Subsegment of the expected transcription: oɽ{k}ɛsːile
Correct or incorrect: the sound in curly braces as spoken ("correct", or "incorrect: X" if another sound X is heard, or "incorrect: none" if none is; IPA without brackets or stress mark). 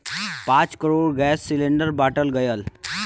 incorrect: ɡ